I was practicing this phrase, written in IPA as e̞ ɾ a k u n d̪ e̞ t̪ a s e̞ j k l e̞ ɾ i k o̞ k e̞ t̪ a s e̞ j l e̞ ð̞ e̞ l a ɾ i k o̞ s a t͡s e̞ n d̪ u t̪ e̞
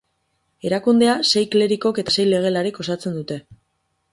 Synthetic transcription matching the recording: e̞ ɾ a k u n d̪ e̞ a s e̞ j k l e̞ ɾ i k o̞ k e̞ t̪ a s e̞ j l e̞ ɣ̞ e̞ l a ɾ i k o̞ s a t͡s e̞ n d̪ u t̪ e̞